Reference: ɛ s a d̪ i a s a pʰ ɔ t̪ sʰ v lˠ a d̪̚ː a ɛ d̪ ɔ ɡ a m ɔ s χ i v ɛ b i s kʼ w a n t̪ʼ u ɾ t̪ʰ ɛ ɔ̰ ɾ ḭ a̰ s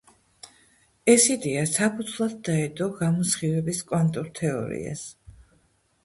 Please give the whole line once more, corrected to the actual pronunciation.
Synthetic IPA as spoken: ɛ s i d̪ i a s a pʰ u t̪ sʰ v lˠ a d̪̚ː a ɛ d̪ ɔ ɡ a m ɔ s χ i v ɛ b i s kʼ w a n t̪ʼ u ɾ t̪ʰ ɛ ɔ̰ ɾ ḭ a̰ s